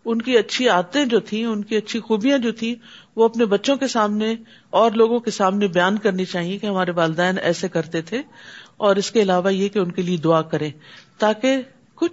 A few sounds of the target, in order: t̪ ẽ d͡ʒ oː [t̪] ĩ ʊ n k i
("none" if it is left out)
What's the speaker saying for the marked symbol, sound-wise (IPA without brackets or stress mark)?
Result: t̪ʰ